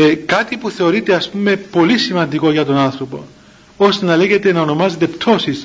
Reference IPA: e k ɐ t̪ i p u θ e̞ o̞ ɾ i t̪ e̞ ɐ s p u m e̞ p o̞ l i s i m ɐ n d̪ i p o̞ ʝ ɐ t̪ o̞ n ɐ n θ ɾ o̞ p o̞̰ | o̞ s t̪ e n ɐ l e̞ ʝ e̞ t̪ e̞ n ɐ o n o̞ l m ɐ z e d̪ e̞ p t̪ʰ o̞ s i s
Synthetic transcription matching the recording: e k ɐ t̪ i p u θ e̞ o̞ ɾ i t̪ e̞ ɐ s p u m e̞ p o̞ l i s i m ɐ n d̪ i k o̞ ʝ ɐ t̪ o̞ n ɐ n θ ɾ o̞ p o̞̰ | o̞ s t̪ e n ɐ l e̞ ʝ e̞ t̪ e̞ n ɐ o n o̞ m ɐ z e t̪ e̞ p t̪ʰ o̞ s i s